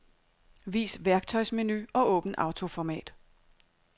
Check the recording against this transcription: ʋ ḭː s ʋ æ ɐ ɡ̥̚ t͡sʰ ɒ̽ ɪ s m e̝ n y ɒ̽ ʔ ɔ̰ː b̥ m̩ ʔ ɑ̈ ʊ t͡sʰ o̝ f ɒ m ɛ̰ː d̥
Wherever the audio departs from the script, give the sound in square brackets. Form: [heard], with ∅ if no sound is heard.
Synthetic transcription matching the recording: ʋ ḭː s ʋ æ ɐ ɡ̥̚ t͡sʰ ɒ̽ ɪ s m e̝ n y ɒ̽ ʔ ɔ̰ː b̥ [n̩] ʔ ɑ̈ ʊ t͡sʰ o̝ f ɒ m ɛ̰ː d̥

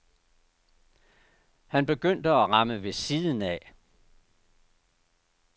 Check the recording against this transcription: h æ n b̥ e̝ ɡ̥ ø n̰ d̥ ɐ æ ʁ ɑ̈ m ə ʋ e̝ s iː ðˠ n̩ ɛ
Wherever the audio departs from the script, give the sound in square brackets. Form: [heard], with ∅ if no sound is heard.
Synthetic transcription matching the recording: h æ n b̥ e̝ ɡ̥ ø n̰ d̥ [ə] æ ʁ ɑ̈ m ə ʋ e̝ s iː ðˠ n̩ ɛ

